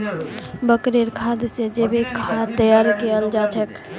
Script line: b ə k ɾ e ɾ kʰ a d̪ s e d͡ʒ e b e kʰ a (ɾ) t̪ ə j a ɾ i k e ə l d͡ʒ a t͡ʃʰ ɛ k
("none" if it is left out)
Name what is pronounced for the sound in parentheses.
none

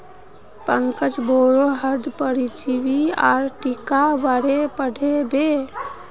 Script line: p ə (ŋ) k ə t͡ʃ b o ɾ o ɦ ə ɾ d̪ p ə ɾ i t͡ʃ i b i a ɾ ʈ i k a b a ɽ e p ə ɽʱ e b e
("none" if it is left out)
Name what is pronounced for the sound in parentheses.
ŋ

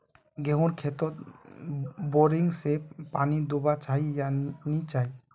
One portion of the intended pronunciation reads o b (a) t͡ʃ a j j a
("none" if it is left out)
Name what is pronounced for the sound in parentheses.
a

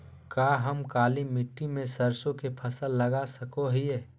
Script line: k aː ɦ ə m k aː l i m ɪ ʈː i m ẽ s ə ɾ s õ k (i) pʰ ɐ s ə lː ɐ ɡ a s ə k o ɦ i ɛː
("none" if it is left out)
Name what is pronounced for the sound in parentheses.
e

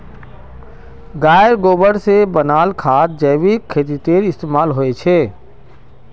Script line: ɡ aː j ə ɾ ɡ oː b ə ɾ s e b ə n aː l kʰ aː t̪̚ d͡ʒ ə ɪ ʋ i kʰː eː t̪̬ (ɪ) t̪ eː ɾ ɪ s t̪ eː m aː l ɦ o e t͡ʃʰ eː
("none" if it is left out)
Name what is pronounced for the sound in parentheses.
i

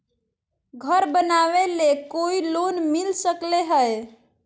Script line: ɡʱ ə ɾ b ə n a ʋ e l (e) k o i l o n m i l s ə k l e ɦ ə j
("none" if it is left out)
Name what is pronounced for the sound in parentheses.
e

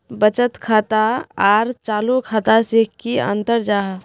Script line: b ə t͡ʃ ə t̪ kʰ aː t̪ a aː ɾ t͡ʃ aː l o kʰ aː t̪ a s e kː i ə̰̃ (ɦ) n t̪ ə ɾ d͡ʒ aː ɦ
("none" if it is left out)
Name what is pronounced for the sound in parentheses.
none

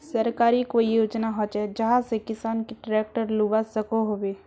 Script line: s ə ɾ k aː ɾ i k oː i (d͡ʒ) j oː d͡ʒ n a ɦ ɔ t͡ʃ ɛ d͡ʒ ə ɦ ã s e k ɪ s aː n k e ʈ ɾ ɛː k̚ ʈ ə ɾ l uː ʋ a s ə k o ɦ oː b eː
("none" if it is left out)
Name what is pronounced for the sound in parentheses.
none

